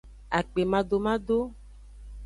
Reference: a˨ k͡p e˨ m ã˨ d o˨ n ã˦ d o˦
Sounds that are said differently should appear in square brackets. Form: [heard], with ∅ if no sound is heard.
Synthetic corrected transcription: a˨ k͡p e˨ m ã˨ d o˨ [m] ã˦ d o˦